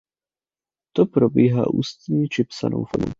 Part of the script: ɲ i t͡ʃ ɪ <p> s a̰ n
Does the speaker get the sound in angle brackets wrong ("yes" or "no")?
no